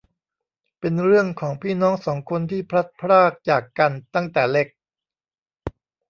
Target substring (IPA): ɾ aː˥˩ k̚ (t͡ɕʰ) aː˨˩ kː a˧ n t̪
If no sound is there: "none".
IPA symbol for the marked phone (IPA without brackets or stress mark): t͡ɕ